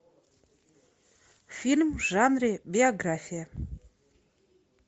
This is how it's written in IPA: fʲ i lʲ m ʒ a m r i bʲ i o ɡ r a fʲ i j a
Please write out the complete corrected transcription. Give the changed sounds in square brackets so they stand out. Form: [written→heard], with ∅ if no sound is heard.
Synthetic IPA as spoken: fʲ i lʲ m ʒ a [m→n] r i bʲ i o ɡ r a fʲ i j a